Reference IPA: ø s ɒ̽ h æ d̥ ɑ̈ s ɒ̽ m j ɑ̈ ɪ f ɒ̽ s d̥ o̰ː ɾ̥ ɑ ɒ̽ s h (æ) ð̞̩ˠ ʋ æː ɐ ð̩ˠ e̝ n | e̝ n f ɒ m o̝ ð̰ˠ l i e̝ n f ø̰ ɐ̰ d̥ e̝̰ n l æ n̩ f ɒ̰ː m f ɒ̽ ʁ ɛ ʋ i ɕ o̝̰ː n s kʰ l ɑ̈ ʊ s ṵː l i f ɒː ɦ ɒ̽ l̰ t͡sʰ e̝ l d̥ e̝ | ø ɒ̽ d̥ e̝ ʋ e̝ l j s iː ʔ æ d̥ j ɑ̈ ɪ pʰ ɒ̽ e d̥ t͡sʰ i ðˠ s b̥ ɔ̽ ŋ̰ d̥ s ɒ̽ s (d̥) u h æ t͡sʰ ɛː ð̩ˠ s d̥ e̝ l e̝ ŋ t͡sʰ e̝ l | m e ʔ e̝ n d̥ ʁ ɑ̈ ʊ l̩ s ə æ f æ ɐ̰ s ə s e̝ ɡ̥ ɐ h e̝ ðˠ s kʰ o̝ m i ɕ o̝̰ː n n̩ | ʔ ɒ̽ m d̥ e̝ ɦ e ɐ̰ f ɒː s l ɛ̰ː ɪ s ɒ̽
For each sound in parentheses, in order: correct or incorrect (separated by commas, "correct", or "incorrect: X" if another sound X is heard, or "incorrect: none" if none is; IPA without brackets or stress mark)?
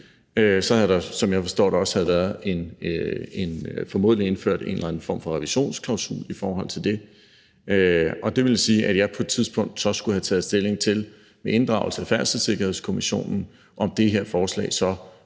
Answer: correct, incorrect: ɡ̥